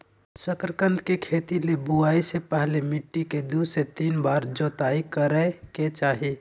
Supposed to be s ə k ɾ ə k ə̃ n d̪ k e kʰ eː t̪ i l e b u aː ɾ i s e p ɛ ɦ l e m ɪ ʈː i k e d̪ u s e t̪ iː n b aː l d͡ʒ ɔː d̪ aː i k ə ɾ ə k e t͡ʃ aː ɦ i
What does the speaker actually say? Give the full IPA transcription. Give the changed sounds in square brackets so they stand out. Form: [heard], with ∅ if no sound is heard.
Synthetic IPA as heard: s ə k ɾ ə k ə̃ n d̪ k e kʰ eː t̪ i l e b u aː [∅] i s e p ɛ ɦ l e m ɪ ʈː i k e d̪ u s e t̪ iː n b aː [ɾ] d͡ʒ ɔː [t̪] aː i k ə ɾ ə k e t͡ʃ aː ɦ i